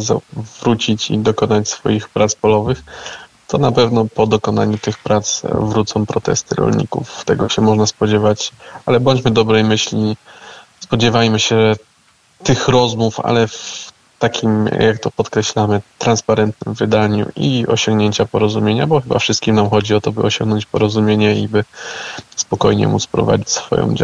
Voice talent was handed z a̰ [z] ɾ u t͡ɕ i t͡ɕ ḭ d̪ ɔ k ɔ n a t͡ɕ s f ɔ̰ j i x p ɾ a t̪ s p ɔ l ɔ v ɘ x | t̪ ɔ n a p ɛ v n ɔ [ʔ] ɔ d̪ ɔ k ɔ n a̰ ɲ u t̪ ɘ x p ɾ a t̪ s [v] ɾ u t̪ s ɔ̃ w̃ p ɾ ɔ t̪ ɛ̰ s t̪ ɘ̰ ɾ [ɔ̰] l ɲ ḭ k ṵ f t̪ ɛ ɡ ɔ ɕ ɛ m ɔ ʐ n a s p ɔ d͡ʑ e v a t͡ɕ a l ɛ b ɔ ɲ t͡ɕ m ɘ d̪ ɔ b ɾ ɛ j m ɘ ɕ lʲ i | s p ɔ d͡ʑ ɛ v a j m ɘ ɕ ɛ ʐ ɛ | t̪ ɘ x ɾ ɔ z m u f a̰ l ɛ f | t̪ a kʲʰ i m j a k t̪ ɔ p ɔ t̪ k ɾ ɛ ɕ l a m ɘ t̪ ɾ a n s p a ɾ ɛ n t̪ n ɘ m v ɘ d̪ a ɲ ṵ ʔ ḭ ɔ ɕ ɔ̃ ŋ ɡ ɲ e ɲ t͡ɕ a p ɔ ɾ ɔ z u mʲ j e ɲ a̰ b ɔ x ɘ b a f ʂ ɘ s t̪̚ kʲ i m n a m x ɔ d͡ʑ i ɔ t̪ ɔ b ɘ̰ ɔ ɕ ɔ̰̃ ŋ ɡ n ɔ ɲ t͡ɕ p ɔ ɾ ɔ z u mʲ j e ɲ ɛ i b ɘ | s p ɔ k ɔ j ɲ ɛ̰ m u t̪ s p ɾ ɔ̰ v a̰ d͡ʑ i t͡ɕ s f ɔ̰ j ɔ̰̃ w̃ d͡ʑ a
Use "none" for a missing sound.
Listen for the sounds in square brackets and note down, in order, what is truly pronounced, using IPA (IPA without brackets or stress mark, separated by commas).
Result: v, p, v, ɔ̰